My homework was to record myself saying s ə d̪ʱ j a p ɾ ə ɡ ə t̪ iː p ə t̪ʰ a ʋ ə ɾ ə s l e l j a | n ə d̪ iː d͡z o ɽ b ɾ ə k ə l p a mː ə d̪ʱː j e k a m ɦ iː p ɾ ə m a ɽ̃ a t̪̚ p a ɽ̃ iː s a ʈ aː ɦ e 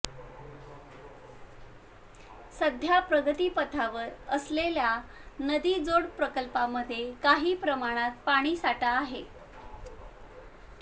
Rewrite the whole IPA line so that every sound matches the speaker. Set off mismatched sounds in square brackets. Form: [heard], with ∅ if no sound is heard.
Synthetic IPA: s ə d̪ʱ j a p ɾ ə ɡ ə t̪ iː p ə t̪ʰ a ʋ ə ɾ ə s l e l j a | n ə d̪ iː d͡z o ɽ [p] ɾ ə k ə l p a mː ə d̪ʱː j e k a [∅] ɦ iː p ɾ ə m a ɽ̃ a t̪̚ p a ɽ̃ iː s a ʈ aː ɦ e